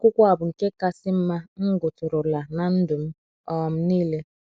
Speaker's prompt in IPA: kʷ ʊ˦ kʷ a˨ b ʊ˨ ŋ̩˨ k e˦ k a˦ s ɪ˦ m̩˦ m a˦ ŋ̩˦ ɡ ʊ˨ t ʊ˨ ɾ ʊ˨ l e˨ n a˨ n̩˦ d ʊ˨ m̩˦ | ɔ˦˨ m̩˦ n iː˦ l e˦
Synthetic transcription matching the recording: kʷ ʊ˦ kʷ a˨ b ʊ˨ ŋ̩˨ k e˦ k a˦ s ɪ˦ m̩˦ m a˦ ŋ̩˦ ɡ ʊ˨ t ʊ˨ ɾ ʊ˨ l a˨ n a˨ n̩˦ d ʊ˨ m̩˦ | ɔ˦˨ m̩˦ n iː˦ l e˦